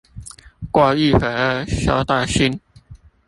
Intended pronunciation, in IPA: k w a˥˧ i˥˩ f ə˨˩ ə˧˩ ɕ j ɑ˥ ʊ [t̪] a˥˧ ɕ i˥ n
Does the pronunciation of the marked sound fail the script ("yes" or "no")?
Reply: no